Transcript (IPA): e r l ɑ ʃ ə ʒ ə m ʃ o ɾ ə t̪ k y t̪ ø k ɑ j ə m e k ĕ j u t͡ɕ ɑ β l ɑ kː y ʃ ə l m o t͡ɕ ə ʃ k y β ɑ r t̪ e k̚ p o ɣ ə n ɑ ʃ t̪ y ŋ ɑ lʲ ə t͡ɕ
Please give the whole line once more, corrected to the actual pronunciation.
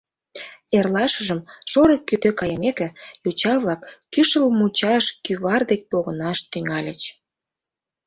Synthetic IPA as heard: e r l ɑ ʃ ə ʒ ə m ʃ o ɾ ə k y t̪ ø k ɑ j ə m e k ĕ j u t͡ɕ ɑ β l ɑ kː y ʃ ə l m u t͡ɕ ɑ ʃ k y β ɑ r d̪ e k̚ p o ɣ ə n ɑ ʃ t̪ y ŋ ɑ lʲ ə t͡ɕ